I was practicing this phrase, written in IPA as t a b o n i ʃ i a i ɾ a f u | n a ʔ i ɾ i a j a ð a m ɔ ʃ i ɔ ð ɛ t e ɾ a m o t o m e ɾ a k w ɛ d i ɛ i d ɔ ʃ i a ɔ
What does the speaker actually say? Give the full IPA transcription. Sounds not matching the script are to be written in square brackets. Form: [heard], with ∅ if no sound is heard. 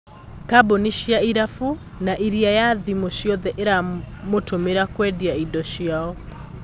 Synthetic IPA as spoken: [k] a b o n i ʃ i a i ɾ a f u | n a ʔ i ɾ i a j a ð [i] m [o] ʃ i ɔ ð ɛ [ʔ] e ɾ a m o t o m e ɾ a k w ɛ d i [a] i d ɔ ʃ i a ɔ